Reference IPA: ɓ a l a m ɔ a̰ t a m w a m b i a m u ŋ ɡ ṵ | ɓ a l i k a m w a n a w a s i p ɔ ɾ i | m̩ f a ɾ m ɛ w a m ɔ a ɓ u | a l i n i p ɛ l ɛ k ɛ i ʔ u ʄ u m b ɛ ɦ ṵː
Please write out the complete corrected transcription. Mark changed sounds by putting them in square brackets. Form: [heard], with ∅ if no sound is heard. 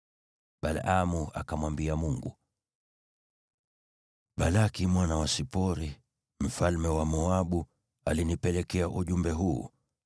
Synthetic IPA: ɓ a l a m [u] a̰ [k] a m w a m b i a m u ŋ ɡ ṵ | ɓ a l [a] k [i] m w a n a w a s i p ɔ ɾ i | m̩ f a [l] m ɛ w a m ɔ a ɓ u | a l i n i p ɛ l ɛ k ɛ [a] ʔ u ʄ u m b ɛ ɦ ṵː